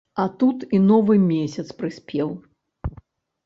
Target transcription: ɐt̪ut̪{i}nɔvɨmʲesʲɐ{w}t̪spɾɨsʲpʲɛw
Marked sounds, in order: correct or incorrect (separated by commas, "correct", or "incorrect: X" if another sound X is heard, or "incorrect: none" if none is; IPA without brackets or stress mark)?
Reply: correct, incorrect: none